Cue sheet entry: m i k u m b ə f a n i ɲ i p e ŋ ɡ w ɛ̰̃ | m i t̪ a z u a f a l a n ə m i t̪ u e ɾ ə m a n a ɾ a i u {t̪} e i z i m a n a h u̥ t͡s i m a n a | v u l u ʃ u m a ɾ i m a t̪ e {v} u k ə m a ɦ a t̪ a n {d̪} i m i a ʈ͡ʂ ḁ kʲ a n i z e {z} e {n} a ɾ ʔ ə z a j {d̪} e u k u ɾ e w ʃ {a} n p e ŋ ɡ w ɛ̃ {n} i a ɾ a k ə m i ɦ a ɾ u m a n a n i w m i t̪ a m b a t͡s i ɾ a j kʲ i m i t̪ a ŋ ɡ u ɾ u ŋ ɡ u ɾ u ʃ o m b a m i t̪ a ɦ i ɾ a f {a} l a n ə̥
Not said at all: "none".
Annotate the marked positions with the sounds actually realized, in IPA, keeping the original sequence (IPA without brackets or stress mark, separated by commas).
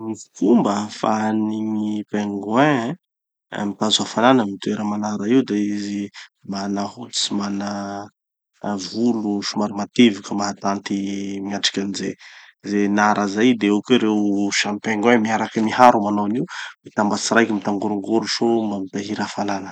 d̪, v, t̪, z, n, d̪, a, m, a